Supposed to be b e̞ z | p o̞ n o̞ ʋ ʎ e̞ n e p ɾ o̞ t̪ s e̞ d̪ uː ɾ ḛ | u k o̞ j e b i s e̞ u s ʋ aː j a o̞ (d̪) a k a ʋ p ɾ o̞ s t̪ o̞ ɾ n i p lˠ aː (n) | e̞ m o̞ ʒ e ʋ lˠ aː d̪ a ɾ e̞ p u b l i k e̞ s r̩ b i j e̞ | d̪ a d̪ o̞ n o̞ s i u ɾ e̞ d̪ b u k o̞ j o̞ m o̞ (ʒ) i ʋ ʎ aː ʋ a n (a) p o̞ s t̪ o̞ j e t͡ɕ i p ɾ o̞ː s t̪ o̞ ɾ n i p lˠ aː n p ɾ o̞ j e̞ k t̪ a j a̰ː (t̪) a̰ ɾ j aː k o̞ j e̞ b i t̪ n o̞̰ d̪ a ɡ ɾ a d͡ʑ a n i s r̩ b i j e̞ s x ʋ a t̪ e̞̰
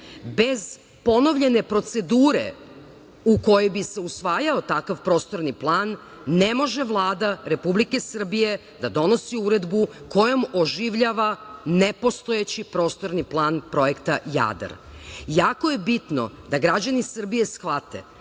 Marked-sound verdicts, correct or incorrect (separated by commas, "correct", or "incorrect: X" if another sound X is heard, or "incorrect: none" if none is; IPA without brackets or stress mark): incorrect: t̪, incorrect: nː, correct, incorrect: e, incorrect: d̪